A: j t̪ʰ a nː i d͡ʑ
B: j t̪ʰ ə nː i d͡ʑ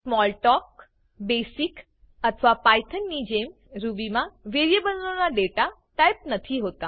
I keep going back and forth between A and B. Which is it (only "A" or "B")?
B